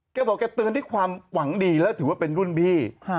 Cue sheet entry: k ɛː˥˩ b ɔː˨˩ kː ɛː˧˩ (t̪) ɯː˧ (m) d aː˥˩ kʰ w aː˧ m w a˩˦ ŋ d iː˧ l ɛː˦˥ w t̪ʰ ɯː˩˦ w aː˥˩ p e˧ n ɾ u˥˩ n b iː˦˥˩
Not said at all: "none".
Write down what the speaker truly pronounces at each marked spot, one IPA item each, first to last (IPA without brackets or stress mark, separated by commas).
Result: t̪, n